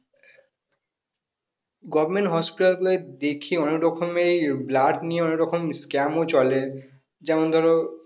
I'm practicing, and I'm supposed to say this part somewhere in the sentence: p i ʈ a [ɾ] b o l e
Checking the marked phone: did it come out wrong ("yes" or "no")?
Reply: yes